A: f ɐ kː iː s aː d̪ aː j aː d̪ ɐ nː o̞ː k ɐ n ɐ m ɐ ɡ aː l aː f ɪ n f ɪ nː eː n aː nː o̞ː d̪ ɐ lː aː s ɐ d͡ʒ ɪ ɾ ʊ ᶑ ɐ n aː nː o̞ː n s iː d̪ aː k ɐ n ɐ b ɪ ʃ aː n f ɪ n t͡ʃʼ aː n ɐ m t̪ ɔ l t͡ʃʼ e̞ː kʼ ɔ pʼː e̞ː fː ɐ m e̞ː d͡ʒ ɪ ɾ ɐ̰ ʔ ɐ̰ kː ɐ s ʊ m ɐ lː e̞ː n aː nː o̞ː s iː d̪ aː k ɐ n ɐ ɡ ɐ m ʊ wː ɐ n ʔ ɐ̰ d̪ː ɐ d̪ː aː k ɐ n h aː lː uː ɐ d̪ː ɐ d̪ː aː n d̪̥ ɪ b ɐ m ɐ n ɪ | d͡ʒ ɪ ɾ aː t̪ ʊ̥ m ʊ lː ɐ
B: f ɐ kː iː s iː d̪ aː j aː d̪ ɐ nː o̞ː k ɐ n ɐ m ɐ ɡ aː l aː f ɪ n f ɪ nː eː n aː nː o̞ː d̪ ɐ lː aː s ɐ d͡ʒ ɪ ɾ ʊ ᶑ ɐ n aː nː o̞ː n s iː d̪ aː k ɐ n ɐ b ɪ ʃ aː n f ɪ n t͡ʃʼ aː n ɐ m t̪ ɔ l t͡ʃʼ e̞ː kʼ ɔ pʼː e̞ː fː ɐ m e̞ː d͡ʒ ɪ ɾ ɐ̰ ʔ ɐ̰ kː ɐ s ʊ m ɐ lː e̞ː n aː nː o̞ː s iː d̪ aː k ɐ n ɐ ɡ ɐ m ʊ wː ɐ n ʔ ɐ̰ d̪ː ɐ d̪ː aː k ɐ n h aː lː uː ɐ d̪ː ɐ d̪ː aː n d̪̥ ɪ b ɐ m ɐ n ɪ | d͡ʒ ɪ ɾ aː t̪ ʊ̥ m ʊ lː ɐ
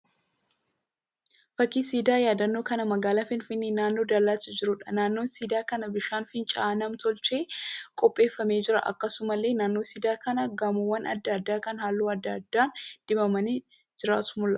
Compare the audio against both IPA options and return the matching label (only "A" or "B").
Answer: B